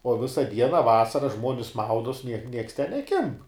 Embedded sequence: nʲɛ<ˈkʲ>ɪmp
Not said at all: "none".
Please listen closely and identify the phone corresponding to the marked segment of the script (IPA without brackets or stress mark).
kʲ